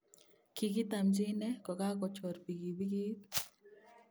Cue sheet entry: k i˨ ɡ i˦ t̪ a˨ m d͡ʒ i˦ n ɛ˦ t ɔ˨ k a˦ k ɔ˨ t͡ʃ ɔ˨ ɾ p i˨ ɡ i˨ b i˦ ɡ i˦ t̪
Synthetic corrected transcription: k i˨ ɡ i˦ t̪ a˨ m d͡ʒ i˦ n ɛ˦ k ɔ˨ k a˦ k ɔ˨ t͡ʃ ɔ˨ ɾ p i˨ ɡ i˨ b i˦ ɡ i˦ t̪

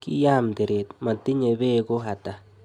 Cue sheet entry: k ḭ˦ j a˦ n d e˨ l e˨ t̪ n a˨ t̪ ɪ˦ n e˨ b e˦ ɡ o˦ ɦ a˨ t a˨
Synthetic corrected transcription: k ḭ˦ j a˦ m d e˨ ɾ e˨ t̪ m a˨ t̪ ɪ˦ ɲ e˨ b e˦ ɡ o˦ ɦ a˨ t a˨

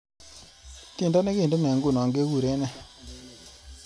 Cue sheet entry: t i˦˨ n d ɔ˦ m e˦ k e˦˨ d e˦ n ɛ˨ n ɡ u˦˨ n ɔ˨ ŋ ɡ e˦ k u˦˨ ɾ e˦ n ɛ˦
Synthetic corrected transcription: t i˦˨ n d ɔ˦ n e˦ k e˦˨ d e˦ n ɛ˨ ŋ ɡ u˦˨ n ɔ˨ ŋ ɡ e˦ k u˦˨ ɾ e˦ n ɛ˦

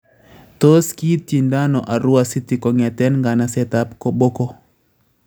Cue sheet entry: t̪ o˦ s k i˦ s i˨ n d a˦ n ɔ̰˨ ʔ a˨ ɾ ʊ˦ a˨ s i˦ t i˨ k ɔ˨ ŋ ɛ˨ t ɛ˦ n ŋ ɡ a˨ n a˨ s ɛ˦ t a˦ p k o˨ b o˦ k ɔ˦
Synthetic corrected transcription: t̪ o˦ s k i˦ t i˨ n d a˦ n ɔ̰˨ ʔ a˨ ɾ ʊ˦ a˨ s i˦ t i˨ k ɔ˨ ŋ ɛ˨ t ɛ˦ n ŋ ɡ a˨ n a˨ s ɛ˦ t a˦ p k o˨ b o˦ k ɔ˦

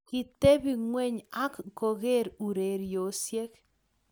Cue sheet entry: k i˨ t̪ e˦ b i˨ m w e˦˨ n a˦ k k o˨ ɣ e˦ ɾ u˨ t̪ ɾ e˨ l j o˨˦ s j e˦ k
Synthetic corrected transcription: k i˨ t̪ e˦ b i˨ ŋ w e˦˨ ɲ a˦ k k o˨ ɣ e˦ ɾ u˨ ɾ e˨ ɾ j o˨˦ s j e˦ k

